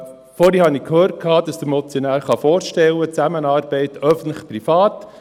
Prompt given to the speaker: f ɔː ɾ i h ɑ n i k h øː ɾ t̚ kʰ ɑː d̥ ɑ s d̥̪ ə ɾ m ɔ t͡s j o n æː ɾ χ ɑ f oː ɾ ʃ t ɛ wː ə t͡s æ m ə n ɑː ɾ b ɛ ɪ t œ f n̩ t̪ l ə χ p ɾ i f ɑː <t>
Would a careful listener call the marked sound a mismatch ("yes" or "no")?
no